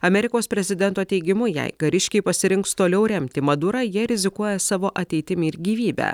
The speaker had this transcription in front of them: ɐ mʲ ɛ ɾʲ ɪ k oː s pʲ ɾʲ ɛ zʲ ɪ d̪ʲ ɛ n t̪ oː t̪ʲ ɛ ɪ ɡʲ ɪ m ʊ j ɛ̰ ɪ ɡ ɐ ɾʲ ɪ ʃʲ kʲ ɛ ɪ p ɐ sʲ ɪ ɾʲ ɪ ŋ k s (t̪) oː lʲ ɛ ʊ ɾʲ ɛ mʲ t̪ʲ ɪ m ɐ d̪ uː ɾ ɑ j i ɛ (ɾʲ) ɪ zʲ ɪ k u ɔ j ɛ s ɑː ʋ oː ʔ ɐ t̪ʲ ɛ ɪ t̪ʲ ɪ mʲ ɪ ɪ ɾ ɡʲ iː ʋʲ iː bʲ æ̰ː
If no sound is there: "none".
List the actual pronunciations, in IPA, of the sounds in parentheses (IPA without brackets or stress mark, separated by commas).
t̪, ɾʲ